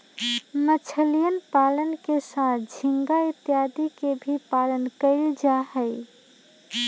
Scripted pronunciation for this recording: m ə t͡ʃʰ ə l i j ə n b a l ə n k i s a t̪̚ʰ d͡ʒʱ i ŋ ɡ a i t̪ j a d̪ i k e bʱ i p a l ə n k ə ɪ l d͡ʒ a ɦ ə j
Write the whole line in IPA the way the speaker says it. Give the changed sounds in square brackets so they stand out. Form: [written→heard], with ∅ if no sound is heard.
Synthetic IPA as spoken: m ə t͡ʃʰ ə l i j ə n [b→p] a l ə n k [i→e] s a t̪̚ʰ d͡ʒʱ i ŋ ɡ a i t̪ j a d̪ i k e bʱ i p a l ə n k ə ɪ l d͡ʒ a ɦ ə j